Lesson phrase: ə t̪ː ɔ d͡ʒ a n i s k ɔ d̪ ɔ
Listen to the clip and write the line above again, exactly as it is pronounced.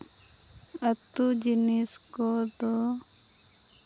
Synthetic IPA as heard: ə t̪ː u d͡ʒ i n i s k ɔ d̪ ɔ